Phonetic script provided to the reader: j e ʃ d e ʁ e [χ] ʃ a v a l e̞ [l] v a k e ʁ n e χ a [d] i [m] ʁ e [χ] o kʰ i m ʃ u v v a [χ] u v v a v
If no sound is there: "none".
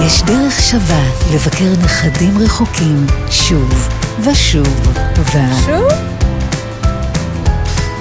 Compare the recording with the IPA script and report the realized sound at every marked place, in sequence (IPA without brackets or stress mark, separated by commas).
χ, none, d, m, χ, ʃ